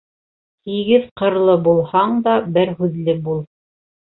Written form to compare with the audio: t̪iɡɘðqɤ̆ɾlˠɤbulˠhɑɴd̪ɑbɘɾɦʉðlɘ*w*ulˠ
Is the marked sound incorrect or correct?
incorrect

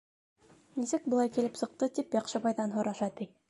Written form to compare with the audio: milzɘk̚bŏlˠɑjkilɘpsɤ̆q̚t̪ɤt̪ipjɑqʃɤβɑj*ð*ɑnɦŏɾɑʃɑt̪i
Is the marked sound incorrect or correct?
correct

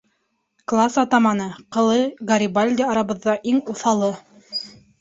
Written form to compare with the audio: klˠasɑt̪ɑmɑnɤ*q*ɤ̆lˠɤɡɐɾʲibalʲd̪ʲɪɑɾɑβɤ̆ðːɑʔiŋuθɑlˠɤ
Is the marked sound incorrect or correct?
correct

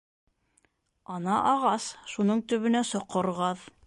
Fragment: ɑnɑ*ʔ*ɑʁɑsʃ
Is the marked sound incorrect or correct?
correct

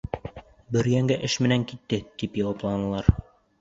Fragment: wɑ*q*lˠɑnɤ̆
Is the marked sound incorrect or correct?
incorrect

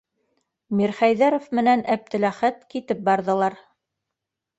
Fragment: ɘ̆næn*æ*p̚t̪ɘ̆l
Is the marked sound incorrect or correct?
correct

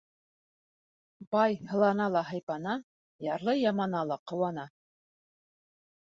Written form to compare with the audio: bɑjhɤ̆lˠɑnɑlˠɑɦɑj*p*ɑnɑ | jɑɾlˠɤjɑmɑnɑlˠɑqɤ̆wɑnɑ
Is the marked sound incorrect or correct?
correct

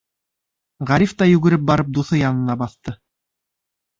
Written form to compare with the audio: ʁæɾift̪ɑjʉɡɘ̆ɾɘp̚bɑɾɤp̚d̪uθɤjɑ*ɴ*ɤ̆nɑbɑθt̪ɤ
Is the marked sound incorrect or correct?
incorrect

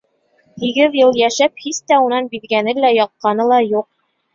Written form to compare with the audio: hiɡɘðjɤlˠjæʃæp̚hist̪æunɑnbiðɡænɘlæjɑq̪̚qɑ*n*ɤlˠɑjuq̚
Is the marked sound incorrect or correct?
correct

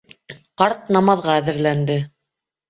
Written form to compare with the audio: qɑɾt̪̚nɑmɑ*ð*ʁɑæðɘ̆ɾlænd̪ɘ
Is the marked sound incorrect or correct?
correct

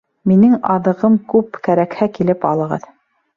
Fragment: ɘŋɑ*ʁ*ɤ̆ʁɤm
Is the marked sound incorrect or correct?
incorrect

